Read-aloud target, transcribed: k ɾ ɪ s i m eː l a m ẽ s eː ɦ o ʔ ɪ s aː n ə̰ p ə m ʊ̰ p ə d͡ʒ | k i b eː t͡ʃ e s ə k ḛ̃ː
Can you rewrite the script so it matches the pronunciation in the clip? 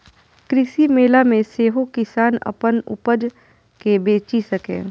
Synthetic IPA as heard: k ɾ ɪ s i m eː l a m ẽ s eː ɦ o k ɪ s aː n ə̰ p ə n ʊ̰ p ə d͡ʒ | k e b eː t͡ʃ i s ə k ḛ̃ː